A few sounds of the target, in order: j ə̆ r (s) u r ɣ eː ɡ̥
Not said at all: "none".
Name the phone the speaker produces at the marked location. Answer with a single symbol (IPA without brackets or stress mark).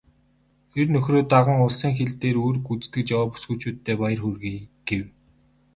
x